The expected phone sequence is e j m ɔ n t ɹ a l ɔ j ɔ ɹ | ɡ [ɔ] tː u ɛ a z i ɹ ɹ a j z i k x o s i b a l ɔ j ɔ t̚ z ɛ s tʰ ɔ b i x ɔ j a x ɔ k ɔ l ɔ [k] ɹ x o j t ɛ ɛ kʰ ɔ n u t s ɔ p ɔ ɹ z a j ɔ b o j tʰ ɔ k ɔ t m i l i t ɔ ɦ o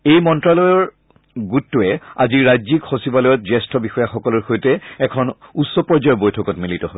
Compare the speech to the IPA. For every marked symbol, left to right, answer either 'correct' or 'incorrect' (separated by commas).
incorrect, incorrect